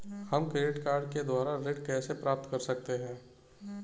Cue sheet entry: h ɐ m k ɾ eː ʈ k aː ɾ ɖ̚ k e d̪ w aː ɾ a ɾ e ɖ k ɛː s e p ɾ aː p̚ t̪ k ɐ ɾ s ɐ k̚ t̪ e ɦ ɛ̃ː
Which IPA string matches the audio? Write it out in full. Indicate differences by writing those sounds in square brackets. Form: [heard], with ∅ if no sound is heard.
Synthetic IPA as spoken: h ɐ m k ɾ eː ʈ k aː ɾ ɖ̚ k e d̪ w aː ɾ a ɾ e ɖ k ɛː s e p ɾ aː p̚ t̪ k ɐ ɾ s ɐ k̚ t̪ e ɦ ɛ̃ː